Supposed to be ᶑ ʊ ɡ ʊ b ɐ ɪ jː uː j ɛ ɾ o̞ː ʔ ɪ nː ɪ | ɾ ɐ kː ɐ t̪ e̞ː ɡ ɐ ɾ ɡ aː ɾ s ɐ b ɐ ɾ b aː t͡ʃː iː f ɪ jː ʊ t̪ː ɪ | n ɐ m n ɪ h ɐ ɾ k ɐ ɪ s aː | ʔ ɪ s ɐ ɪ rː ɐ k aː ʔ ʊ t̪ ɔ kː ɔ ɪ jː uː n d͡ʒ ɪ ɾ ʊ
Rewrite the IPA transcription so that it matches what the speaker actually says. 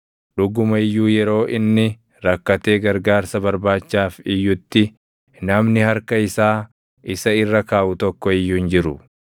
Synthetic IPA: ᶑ ʊ ɡ ʊ m ɐ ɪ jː uː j ɛ ɾ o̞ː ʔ ɪ nː ɪ | ɾ ɐ kː ɐ t̪ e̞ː ɡ ɐ ɾ ɡ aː ɾ s ɐ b ɐ ɾ b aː t͡ʃː aː f ɪ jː ʊ t̪ː ɪ | n ɐ m n ɪ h ɐ ɾ k ɐ ɪ s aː | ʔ ɪ s ɐ ɪ rː ɐ k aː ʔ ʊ t̪ ɔ kː ɔ ɪ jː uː n d͡ʒ ɪ ɾ ʊ